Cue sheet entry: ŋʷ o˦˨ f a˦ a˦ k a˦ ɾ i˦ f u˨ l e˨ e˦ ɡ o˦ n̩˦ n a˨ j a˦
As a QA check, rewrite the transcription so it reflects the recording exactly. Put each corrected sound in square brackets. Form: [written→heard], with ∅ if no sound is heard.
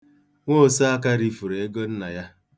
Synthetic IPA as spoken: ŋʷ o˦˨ [f→s] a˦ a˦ k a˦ ɾ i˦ f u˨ [l→ɾ] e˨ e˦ ɡ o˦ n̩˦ n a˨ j a˦